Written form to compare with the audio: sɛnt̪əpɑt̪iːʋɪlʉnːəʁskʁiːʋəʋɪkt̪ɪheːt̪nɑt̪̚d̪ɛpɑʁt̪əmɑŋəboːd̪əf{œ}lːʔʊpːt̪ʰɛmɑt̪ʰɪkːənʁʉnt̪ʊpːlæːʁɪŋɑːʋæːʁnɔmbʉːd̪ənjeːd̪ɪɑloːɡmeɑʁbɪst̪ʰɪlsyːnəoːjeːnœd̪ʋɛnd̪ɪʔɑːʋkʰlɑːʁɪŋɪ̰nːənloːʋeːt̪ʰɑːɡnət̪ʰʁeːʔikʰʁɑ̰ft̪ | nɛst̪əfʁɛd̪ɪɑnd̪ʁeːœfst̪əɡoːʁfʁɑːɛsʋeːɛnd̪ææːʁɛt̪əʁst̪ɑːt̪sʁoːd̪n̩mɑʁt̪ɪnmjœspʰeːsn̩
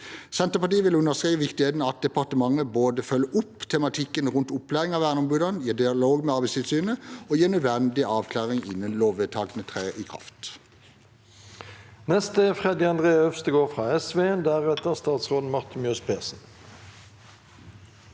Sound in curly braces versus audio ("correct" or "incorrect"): correct